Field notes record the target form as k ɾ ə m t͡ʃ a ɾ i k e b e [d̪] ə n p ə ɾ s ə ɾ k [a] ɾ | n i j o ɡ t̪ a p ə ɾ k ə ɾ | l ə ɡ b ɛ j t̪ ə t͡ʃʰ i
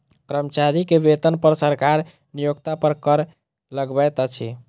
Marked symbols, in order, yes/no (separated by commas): no, yes